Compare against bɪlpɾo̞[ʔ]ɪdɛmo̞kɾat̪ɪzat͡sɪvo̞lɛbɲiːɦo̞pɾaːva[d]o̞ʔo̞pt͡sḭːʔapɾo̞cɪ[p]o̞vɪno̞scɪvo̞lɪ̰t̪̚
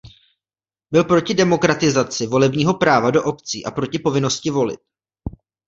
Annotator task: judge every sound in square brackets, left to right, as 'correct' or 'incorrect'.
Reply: incorrect, correct, correct

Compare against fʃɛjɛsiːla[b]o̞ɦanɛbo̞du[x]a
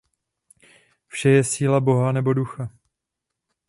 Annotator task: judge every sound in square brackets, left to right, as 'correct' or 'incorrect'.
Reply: correct, correct

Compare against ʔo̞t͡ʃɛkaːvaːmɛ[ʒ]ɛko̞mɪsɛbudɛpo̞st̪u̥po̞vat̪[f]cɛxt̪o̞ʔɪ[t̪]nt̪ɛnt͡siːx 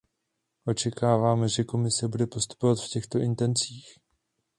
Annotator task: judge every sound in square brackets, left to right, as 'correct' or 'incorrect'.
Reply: correct, correct, incorrect

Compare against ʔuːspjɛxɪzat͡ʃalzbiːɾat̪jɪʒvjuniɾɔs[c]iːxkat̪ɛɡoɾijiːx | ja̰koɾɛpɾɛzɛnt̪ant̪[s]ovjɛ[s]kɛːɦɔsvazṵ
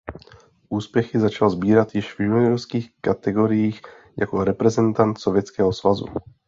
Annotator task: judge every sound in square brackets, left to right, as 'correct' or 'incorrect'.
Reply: incorrect, correct, incorrect

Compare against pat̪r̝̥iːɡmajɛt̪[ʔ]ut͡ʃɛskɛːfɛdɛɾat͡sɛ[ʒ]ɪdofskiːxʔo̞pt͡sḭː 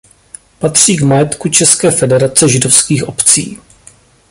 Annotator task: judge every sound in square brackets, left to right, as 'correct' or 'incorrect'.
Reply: incorrect, correct

